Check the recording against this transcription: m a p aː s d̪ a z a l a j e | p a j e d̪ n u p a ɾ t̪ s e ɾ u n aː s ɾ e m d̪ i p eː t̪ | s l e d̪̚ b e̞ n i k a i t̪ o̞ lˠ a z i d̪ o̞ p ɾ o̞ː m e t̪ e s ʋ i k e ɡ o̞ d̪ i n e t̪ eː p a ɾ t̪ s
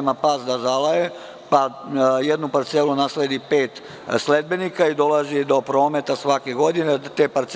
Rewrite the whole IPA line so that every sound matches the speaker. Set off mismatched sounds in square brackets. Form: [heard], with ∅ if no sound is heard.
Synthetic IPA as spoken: m a p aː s d̪ a z a l a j e | p a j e d̪ n u p a ɾ t̪ s e [l] u n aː s [l] e [∅] d̪ i p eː t̪ | s l e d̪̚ b e̞ n i k a i [d̪] o̞ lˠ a z i d̪ o̞ p ɾ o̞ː m e t̪ [a] s ʋ [a] k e ɡ o̞ d̪ i n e t̪ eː p a ɾ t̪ s